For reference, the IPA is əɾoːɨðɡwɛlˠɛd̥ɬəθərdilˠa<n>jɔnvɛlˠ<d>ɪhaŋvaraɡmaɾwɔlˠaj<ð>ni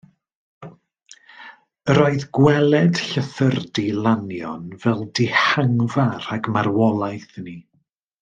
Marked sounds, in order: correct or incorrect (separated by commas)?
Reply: correct, correct, incorrect